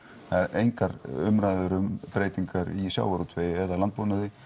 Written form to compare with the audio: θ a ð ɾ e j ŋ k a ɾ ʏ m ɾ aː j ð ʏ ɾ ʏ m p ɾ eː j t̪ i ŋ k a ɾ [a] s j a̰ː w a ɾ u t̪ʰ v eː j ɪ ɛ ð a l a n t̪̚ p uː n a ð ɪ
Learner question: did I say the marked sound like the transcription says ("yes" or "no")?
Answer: no